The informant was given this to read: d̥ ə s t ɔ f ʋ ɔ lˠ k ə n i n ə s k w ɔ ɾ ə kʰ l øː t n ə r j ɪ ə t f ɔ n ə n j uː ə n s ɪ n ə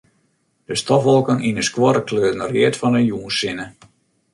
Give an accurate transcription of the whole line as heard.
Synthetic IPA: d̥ ə s t ɔ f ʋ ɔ lˠ k ə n i n ə s k w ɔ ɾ ə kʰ l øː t n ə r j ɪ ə t f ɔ n ə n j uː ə n s ɪ n ə

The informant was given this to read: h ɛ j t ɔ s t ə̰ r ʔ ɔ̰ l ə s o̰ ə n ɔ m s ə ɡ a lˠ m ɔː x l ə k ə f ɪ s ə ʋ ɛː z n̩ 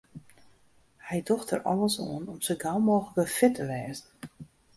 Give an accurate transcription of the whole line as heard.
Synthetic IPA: h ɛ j d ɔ x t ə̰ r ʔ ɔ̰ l ə s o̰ ə n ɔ m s ə ɡ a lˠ m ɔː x l ə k ə f ɪ t ə ʋ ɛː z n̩

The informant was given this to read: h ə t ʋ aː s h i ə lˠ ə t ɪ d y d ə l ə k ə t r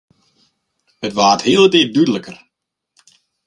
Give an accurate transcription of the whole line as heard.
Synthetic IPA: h ə t ʋ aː t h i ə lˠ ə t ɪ d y d ə l ə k ə r

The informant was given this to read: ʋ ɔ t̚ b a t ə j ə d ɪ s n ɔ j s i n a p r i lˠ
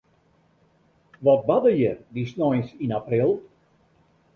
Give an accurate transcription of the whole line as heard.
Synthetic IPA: ʋ ɔ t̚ b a d ə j ə d i s n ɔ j s i n a p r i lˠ

